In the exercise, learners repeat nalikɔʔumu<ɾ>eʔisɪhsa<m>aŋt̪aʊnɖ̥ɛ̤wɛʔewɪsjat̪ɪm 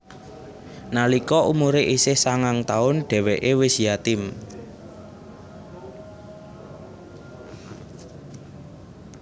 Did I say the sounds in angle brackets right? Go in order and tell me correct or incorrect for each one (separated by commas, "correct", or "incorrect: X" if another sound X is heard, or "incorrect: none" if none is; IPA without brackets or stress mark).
correct, incorrect: ŋ